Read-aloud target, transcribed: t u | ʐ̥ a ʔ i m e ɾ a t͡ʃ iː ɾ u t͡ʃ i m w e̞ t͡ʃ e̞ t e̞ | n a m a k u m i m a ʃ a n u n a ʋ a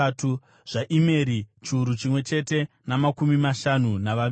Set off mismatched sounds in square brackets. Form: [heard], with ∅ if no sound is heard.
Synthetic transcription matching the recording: t u | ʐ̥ a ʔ i m e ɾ [i] t͡ʃ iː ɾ u t͡ʃ i m w e̞ t͡ʃ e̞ t e̞ | n a m a k u m i m a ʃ a n u n a ʋ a